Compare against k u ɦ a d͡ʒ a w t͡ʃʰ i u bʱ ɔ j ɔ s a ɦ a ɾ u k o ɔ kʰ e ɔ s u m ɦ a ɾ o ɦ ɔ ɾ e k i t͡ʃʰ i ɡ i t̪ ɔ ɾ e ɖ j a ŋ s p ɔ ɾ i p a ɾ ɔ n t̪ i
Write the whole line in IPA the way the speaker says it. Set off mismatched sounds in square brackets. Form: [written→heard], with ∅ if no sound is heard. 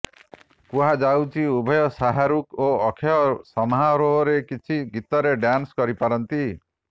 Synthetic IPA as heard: k u ɦ a d͡ʒ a w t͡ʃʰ i u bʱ ɔ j ɔ s a ɦ a ɾ u k o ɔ kʰ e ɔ s [u→ɔ] m ɦ a ɾ o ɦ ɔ ɾ e k i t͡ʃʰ i ɡ i t̪ ɔ ɾ e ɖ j a [ŋ→n] s [p→k] ɔ ɾ i p a ɾ ɔ n t̪ i